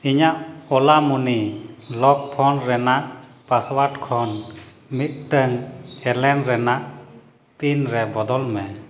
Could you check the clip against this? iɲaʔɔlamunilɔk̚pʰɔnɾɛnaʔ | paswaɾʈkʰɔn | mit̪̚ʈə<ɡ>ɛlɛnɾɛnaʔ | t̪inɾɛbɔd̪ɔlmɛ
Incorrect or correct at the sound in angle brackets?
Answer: incorrect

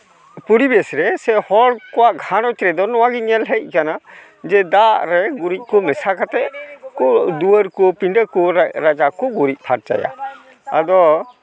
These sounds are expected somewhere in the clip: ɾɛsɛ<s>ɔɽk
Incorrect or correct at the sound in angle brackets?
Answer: incorrect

